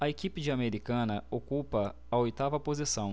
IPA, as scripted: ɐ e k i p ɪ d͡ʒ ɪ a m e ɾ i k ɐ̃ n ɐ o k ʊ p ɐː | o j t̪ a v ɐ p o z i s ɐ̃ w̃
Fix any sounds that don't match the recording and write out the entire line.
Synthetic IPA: ɐ e k i p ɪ d͡ʒ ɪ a m e ɾ i k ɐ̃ n ɐ o k u p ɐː | o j t̪ a v ɐ p o z i s ɐ̃ w̃